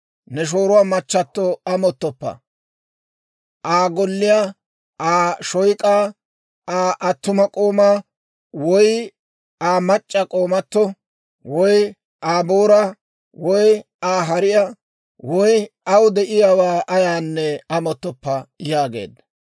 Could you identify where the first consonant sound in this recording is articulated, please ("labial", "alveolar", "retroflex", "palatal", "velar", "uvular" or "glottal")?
alveolar